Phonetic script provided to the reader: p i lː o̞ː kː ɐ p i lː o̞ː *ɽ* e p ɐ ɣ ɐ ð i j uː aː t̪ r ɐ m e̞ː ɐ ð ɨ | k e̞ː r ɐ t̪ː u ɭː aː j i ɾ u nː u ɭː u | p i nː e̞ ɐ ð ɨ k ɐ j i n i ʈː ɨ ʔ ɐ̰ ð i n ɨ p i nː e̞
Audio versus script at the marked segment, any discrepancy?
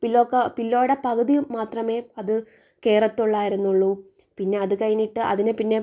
no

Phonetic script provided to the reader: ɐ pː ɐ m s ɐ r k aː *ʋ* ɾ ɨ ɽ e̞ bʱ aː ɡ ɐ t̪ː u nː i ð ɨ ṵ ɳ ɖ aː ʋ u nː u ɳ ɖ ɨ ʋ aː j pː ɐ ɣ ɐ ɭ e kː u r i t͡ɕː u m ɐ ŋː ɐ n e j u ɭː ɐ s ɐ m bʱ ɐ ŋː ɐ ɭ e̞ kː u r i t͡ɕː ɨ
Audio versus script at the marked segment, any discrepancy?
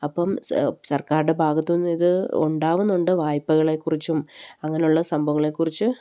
yes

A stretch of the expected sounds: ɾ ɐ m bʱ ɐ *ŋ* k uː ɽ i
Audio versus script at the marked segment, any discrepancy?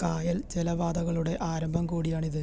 yes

